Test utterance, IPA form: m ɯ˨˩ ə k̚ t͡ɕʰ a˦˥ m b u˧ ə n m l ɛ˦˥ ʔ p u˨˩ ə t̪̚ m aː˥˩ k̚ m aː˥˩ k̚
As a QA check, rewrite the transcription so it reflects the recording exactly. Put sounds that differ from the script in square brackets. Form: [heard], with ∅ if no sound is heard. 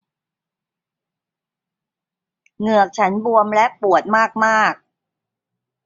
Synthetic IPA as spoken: [ŋ] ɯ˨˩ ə k̚ t͡ɕʰ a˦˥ [n] b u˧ ə [∅] m l ɛ˦˥ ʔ p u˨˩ ə t̪̚ m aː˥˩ k̚ m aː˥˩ k̚